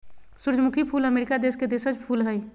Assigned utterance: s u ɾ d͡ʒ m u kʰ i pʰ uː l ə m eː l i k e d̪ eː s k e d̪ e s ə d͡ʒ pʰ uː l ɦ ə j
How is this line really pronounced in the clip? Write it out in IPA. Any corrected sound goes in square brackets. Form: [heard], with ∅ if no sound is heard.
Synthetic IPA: s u ɾ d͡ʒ m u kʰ i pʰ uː l ə m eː [ɾ] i k [a] d̪ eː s k e d̪ e s ə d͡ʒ pʰ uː l ɦ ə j